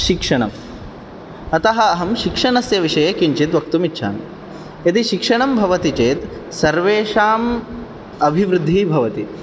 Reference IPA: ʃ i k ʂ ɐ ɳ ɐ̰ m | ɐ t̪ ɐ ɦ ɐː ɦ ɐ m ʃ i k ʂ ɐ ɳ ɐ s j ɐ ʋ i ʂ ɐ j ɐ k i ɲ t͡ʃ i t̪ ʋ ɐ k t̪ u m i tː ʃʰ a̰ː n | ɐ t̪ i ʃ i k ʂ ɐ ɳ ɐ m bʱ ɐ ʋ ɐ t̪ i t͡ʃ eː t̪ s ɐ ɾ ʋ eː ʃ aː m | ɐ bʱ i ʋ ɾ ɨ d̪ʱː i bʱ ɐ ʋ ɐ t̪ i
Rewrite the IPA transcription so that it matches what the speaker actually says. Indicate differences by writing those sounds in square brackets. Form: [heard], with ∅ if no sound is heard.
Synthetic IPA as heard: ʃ i k ʂ ɐ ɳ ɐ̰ m | ɐ t̪ ɐ ɦ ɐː ɦ ɐ m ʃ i k ʂ ɐ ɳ ɐ s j ɐ ʋ i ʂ ɐ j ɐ k i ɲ t͡ʃ i t̪ ʋ ɐ k t̪ u m i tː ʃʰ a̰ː n | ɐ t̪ i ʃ i k ʂ ɐ ɳ ɐ m bʱ ɐ ʋ ɐ t̪ i t͡ʃ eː t̪ s ɐ ɾ ʋ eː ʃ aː m | ɐ bʱ i ʋ ɾ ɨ d̪ʱː i bʱ ɐ ʋ ɐ t̪ i